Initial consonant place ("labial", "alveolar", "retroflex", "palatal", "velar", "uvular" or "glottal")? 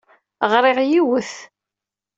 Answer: uvular